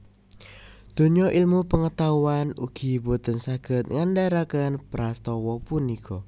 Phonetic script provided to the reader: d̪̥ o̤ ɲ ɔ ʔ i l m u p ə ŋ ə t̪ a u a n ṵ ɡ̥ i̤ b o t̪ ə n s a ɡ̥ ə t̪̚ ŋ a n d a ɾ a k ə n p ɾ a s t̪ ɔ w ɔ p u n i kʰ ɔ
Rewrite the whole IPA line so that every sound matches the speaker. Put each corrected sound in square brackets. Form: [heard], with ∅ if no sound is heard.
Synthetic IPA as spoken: d̪̥ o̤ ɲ ɔ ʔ i l m u p ə ŋ ə t̪ a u a n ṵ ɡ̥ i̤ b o t̪ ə n s a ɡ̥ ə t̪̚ ŋ a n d a ɾ a k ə n p ɾ a s t̪ ɔ w ɔ p u n i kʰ ɔ